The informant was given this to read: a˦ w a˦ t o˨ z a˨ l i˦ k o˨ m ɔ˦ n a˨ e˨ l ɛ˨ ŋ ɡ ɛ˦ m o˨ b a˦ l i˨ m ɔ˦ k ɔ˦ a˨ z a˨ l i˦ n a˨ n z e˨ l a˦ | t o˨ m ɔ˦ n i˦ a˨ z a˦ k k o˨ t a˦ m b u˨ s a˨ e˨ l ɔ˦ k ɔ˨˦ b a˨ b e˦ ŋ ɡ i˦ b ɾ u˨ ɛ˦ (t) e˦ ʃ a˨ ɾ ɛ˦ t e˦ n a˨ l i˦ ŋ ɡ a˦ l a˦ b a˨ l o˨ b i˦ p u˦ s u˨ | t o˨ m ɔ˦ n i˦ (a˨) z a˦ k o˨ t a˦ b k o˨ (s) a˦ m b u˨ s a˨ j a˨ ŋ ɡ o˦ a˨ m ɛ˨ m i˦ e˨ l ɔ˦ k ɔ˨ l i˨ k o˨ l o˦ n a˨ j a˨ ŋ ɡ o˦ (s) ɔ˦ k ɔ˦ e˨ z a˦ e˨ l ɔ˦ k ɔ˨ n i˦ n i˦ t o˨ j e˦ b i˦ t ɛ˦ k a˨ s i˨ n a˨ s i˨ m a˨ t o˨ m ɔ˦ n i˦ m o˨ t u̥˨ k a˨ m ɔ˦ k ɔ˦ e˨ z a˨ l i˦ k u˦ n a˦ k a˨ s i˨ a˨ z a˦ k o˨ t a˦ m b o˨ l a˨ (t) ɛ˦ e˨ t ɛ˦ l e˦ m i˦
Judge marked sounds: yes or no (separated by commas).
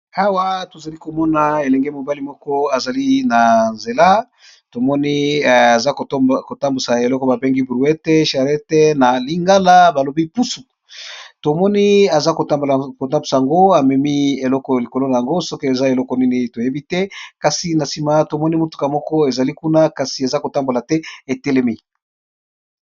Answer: yes, yes, no, yes, yes